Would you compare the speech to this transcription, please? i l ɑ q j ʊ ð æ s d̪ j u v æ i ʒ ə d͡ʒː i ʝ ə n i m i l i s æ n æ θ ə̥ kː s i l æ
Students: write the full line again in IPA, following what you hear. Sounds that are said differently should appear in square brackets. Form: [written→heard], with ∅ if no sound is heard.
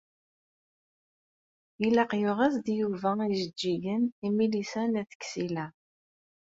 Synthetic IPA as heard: i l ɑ q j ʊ [ð→ʁ] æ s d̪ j u v æ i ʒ ə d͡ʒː i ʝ ə n i m i l i s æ n æ θ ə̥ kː s i l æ